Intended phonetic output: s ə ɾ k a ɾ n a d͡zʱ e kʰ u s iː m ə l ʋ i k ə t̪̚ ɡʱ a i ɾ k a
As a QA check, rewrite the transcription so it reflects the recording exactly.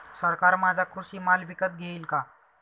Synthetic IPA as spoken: s ə ɾ k a ɾ m a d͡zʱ a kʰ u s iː m a l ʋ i k ə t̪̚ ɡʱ e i l k a